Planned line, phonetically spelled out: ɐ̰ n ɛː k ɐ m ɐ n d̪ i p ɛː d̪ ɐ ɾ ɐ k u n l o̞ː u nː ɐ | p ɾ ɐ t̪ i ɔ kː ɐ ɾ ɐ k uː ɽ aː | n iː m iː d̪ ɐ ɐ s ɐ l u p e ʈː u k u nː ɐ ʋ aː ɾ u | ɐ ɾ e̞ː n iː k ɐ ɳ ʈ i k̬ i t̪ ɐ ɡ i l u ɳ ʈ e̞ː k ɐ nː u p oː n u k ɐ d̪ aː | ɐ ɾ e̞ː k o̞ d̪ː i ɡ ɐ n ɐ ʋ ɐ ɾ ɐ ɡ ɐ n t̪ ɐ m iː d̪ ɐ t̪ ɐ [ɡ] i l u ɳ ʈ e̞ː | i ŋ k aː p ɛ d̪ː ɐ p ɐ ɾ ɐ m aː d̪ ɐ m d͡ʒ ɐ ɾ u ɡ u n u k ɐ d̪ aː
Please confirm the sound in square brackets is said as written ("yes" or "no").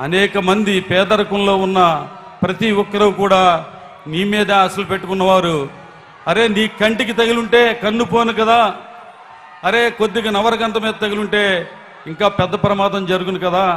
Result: yes